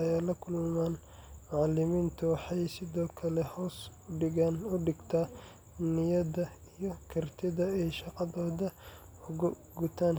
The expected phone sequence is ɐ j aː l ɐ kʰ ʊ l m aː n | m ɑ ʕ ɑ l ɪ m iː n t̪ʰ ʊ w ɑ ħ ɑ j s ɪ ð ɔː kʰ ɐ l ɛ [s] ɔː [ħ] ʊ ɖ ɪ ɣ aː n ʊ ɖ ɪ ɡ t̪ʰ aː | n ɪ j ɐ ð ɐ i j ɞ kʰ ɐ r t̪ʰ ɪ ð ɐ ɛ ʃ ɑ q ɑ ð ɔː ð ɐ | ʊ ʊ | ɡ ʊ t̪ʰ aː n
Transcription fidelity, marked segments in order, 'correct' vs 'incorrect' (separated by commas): incorrect, incorrect